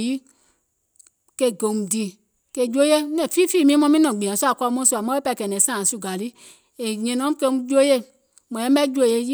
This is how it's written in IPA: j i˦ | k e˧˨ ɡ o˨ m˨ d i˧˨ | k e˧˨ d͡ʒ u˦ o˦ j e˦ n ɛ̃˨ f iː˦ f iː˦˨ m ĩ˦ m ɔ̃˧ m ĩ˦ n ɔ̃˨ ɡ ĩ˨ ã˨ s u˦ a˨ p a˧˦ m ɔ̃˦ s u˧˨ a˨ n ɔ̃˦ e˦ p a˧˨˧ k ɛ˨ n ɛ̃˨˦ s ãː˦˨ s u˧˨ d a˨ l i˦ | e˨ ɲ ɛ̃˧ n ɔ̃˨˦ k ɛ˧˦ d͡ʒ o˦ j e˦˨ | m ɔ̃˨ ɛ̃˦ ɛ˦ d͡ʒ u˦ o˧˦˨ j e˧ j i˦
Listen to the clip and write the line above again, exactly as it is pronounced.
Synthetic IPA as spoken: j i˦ | k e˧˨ ɡ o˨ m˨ d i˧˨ | k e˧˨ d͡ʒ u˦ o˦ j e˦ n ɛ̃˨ f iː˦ f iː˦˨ m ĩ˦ m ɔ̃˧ m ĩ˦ n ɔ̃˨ ɡ͡b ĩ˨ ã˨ s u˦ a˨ k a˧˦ m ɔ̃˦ s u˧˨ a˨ m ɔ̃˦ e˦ p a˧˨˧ k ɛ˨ n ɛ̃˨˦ s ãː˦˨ s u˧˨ ɡ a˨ l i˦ | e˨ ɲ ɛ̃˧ n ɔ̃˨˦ k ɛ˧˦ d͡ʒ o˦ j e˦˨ | m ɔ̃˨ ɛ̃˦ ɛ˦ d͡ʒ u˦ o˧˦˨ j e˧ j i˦